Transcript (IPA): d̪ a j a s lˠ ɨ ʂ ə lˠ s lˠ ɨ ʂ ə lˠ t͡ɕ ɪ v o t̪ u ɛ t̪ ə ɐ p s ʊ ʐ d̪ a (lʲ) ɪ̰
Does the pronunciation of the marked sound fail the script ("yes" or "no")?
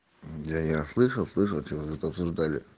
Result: no